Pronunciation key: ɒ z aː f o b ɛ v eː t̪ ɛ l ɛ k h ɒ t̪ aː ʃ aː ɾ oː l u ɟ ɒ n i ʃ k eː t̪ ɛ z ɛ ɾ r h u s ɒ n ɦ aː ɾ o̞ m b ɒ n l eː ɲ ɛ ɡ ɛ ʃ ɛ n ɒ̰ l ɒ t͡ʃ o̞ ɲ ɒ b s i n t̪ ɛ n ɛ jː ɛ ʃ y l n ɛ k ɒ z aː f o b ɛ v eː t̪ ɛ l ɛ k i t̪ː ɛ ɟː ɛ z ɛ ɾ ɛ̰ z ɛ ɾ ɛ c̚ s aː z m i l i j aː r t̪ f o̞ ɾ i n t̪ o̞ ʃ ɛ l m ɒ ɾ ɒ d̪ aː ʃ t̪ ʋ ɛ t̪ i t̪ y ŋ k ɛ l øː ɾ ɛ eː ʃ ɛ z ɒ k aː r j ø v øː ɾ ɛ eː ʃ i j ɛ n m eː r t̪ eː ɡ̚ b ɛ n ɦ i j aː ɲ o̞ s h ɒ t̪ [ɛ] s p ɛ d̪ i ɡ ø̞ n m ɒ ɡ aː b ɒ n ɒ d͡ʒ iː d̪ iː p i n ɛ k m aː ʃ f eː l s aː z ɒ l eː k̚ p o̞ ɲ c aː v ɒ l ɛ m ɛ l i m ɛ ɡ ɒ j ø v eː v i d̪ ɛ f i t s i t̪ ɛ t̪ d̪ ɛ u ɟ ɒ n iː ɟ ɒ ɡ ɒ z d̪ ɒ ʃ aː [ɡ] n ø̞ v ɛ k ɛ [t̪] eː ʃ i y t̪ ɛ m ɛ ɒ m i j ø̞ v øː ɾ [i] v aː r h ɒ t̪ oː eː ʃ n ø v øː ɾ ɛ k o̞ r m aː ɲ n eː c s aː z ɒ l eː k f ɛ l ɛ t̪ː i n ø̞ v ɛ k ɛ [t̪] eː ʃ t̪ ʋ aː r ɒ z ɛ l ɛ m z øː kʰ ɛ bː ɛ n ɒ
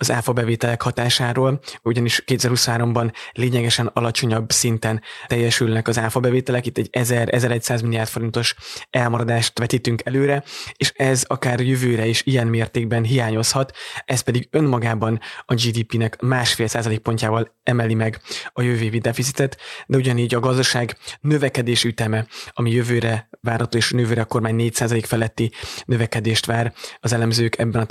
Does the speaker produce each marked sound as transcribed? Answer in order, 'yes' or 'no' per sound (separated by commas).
yes, yes, no, no, no